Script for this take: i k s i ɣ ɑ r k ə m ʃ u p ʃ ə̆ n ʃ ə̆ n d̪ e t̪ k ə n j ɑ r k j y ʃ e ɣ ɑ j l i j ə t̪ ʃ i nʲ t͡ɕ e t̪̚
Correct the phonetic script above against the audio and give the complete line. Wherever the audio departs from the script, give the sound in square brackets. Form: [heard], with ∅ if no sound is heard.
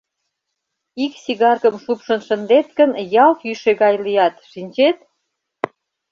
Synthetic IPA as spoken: i k s i ɣ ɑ r k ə m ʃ u p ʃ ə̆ n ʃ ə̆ n d̪ e t̪ k ə n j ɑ [l] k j y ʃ e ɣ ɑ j l i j [ɑ] t̪ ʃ i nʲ t͡ɕ e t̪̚